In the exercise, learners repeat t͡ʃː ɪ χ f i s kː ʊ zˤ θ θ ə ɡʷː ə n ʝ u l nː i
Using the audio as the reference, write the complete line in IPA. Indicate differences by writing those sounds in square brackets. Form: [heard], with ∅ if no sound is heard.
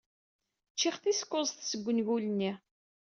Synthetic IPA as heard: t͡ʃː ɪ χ [θ] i s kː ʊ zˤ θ [s] ə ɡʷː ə n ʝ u l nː i

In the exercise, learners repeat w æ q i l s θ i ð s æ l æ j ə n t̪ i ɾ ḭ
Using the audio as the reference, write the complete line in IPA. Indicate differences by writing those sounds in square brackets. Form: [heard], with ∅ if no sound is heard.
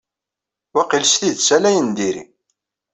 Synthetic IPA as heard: w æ q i l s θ i ð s æ l æ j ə n [d̪] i ɾ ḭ

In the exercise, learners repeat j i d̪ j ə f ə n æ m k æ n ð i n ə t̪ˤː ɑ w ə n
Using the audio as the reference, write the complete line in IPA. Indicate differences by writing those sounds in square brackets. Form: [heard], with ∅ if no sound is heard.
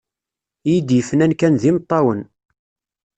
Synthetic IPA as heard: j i d̪ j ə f ə n æ [n] k æ n ð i [m] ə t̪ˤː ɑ w ə n

